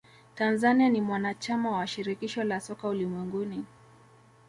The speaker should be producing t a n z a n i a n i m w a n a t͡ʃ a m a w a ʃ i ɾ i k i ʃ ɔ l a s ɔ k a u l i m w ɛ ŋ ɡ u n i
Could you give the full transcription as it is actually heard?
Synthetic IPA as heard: t a n z a n i a n i m w a n a t͡ʃ a m a w a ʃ i ɾ i k i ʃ ɔ l a s ɔ k a u l i m w ɛ ŋ ɡ u n i